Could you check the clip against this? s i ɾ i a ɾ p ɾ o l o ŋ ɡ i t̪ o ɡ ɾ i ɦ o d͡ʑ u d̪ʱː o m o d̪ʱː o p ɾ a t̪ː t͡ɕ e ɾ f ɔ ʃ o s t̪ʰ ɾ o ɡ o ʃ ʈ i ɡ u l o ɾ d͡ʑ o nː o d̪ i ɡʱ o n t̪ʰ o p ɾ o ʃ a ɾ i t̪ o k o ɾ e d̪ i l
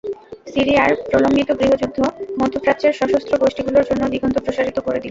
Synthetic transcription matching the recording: s i ɾ i a ɾ p ɾ o l o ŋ ɡ i t̪ o ɡ ɾ i ɦ o d͡ʑ u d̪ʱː o m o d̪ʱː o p ɾ a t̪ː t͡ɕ e ɾ ʃ ɔ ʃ o s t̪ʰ ɾ o ɡ o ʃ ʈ i ɡ u l o ɾ d͡ʑ o nː o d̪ i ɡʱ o n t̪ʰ o p ɾ o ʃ a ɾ i t̪ o k o ɾ e d̪ i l